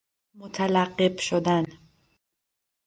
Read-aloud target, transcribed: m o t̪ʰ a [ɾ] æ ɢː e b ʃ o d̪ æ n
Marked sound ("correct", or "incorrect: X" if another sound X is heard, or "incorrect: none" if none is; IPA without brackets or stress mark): incorrect: l